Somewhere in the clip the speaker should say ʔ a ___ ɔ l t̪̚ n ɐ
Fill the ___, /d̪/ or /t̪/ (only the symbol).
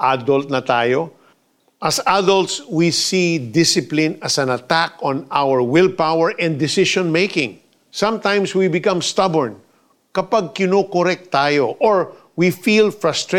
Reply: d̪